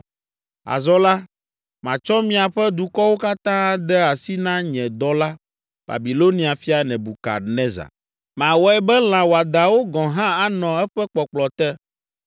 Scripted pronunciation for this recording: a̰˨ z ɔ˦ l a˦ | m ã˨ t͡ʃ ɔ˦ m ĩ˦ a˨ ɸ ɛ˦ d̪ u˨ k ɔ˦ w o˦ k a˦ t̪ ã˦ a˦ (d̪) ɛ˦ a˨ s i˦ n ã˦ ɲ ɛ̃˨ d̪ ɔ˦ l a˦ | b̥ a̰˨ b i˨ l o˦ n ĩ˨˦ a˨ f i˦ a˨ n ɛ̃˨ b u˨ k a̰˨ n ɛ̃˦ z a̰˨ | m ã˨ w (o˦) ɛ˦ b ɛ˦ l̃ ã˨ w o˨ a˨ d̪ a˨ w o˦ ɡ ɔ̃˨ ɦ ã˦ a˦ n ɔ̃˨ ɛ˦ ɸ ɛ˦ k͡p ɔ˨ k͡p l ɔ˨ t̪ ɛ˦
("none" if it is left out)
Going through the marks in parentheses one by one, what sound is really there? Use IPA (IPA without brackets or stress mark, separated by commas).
d̪, ɔ˦